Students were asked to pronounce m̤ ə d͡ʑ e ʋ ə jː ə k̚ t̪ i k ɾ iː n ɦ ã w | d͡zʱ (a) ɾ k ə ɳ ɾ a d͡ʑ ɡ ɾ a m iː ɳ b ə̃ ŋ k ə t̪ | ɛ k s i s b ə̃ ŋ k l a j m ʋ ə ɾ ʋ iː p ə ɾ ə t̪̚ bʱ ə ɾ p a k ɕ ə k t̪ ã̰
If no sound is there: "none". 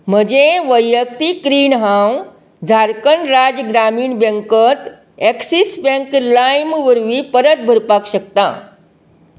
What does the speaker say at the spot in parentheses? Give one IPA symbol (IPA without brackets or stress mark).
a